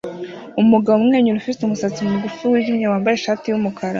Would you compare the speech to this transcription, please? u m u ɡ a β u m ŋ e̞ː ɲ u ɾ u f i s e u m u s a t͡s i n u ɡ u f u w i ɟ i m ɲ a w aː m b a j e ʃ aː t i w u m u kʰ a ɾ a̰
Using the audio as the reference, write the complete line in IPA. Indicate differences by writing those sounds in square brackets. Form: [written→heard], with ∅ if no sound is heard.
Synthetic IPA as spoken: u m u ɡ a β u m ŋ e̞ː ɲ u ɾ u f i s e u m u s a t͡s i [n→m] u ɡ u f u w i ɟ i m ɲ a w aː m b a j e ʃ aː t i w u m u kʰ a ɾ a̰